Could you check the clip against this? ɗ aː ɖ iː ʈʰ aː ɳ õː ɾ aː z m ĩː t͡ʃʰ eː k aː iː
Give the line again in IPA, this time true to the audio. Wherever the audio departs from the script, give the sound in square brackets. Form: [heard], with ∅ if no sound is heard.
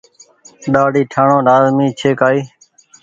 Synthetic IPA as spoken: ɗ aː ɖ iː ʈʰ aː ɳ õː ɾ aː z m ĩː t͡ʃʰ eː k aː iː